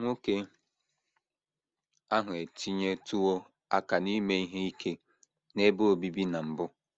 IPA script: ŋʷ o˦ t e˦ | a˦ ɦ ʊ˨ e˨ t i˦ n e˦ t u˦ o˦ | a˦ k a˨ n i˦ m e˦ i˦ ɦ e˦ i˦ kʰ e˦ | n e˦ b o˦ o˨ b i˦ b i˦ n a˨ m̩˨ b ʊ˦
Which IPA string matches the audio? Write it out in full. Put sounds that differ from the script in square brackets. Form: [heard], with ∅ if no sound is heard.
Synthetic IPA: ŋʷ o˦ [k] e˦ | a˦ ɦ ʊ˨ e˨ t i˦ [ɲ] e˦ t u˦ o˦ | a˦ k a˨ n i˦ m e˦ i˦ ɦ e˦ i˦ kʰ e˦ | n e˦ b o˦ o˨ b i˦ b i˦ n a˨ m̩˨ b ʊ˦

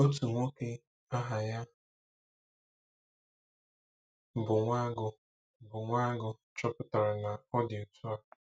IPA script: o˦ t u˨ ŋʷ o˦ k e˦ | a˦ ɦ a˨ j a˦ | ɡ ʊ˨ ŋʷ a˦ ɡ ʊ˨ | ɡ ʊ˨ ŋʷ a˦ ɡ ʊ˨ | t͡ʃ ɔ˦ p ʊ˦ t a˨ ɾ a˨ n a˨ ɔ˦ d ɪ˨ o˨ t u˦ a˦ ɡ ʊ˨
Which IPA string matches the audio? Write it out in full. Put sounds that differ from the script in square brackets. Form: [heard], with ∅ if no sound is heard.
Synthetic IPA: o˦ t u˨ ŋʷ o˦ k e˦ | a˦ ɦ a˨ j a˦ | [b] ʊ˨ ŋʷ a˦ ɡ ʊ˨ | [b] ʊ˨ ŋʷ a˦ ɡ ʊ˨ | t͡ʃ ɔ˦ p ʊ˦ t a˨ ɾ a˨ n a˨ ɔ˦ d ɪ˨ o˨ t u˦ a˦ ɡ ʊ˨

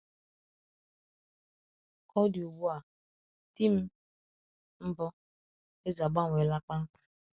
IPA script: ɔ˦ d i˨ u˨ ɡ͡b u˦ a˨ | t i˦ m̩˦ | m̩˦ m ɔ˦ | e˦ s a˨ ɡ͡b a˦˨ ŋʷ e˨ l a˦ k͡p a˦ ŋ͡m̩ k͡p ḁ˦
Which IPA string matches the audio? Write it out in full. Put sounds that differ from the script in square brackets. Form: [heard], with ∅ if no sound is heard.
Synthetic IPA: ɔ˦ d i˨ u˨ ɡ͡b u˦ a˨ | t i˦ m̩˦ | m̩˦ [b] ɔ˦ | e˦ [z] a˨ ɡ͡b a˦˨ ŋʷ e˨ l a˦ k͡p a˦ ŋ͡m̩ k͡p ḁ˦

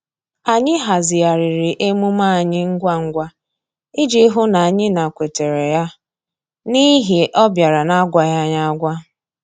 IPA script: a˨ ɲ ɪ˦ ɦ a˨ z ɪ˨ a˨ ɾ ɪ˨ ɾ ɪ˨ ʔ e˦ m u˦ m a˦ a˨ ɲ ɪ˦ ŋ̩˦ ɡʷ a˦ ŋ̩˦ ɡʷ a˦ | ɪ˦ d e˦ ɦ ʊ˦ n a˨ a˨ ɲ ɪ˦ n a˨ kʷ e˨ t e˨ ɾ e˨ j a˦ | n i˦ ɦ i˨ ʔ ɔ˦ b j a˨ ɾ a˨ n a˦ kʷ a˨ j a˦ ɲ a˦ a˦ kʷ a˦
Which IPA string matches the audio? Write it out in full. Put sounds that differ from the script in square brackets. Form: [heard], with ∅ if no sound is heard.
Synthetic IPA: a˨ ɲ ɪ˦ ɦ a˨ z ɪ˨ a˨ ɾ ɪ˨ ɾ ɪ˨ ʔ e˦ m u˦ m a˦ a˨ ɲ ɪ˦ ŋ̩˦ ɡʷ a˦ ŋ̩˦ ɡʷ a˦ | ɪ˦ [d͡ʒ] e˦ ɦ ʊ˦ n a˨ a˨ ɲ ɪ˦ n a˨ kʷ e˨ t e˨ ɾ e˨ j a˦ | n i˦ ɦ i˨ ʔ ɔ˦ b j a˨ ɾ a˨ n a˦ [ɡʷ] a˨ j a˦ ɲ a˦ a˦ [ɡʷ] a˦

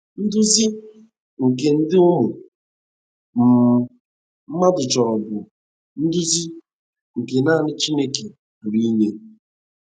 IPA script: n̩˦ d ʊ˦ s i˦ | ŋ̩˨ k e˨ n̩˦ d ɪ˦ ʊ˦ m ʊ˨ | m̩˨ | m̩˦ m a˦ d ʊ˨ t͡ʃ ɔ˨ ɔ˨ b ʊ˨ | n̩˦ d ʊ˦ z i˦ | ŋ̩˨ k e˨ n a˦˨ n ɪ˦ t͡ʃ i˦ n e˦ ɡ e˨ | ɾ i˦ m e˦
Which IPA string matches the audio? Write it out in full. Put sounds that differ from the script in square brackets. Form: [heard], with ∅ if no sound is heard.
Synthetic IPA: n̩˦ d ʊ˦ [z] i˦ | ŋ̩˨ k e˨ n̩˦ d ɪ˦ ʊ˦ m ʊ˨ | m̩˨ | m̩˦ m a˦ d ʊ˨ t͡ʃ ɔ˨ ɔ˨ b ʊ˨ | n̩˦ d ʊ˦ z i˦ | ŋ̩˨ k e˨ n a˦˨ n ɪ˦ t͡ʃ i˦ n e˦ [k] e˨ | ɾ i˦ [ɲ] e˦

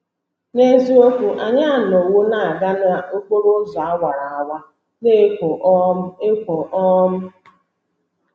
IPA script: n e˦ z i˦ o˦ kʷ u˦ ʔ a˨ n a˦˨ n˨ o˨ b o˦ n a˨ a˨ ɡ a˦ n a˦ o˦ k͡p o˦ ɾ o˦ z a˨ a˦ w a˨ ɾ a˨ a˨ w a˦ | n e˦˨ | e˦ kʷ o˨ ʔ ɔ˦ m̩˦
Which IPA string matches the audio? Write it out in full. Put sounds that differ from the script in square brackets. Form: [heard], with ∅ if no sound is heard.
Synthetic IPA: n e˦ z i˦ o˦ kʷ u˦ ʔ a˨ [ɲ] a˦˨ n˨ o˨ [w] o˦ n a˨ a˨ ɡ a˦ n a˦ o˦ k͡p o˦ ɾ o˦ z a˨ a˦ w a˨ ɾ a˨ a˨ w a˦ | n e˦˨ | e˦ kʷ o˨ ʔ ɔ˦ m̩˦

